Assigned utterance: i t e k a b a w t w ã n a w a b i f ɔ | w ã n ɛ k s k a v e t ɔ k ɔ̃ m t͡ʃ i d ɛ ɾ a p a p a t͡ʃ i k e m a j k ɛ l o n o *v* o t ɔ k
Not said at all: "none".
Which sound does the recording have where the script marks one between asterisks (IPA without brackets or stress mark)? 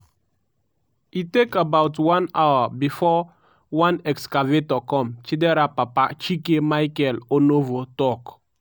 v